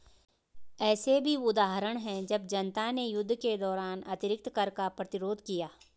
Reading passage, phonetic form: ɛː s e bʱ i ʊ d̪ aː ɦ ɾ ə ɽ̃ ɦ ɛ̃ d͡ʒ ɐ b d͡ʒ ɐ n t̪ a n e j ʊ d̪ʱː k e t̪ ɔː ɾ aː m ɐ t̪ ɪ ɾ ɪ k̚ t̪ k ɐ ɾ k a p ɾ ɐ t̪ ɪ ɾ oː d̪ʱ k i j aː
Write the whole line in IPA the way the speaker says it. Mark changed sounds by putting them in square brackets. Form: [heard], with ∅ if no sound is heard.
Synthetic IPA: ɛː s e bʱ i ʊ d̪ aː ɦ ɾ ə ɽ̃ ɦ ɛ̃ d͡ʒ ɐ b d͡ʒ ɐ n t̪ a n e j ʊ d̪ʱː k e [d̪] ɔː ɾ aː [n] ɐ t̪ ɪ ɾ ɪ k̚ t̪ k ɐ ɾ k a p ɾ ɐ t̪ ɪ ɾ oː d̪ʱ k i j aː

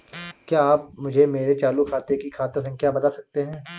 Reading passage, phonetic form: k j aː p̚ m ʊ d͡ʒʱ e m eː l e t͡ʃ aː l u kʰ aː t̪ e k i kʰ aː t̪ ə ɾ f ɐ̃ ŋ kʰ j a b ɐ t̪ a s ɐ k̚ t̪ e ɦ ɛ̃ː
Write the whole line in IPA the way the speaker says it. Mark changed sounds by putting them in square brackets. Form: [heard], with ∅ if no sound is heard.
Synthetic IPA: k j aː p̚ m ʊ d͡ʒʱ e m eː [ɾ] e t͡ʃ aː l u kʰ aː t̪ e k i kʰ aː t̪ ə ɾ [s] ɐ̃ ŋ kʰ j a b ɐ t̪ a s ɐ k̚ t̪ e ɦ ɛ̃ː

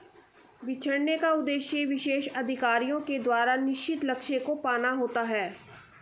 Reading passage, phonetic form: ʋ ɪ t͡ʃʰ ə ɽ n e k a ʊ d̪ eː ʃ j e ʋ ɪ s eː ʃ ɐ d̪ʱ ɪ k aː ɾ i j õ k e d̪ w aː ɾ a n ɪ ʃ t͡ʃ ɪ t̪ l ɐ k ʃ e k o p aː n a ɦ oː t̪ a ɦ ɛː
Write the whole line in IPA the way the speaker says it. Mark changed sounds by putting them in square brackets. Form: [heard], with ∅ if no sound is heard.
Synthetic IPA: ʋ ɪ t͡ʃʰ ə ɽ n e k a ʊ d̪ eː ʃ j e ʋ ɪ [ʃ] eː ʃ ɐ d̪ʱ ɪ k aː ɾ i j õ k e d̪ w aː ɾ a n ɪ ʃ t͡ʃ ɪ t̪ l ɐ k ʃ e k o p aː n a ɦ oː t̪ a ɦ ɛː

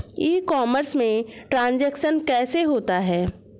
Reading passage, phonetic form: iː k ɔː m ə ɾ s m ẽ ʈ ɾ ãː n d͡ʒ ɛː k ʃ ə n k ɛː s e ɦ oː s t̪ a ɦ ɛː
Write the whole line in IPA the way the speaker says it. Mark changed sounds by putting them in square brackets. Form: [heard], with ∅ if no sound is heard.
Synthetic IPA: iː k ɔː m ə ɾ s m ẽ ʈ ɾ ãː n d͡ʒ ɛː k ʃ ə n k ɛː s e ɦ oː [∅] t̪ a ɦ ɛː

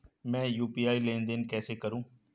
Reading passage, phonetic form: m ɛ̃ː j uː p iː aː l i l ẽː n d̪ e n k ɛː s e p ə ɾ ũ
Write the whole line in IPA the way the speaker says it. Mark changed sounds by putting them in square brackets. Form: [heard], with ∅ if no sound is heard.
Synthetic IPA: m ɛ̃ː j uː p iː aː [∅] i l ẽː n d̪ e n k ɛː s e [k] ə ɾ [ũː]

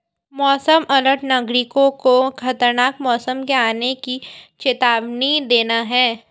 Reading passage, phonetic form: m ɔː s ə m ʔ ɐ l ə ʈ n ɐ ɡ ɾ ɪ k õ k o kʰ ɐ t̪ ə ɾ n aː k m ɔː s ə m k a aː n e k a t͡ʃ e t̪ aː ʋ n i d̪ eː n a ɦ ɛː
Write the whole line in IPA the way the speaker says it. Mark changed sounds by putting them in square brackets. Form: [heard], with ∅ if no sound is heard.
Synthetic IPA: m ɔː s ə m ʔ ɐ l ə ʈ n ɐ ɡ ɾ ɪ k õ k o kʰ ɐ t̪ ə ɾ n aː k m ɔː s ə m k [e] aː n e k [i] t͡ʃ e t̪ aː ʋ n i d̪ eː n a ɦ ɛː

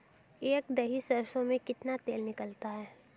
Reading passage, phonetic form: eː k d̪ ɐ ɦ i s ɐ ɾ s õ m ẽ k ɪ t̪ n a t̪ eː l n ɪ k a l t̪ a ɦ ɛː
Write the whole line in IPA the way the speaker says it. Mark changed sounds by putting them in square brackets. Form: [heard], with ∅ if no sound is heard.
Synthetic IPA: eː k d̪ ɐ ɦ i s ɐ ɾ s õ m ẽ k ɪ t̪ n a t̪ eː l n ɪ k [ə] l t̪ a ɦ ɛː

